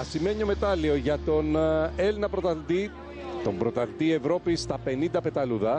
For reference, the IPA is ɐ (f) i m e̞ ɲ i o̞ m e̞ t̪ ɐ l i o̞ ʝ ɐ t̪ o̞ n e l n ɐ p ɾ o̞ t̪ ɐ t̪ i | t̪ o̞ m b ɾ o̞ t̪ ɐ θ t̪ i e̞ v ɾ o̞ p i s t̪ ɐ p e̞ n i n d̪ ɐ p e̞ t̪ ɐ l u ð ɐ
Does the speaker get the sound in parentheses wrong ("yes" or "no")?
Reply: yes